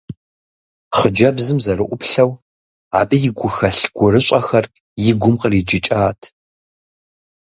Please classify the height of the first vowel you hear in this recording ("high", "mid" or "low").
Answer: mid